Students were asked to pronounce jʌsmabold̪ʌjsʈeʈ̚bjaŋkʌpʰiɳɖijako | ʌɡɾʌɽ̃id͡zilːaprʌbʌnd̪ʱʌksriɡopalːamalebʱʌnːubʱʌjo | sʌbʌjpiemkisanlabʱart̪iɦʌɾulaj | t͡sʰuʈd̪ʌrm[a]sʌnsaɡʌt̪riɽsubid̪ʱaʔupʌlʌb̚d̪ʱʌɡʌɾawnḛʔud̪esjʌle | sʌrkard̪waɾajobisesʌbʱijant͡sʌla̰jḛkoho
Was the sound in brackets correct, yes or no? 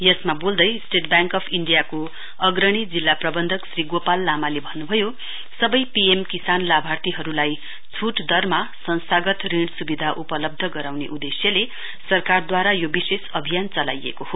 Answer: yes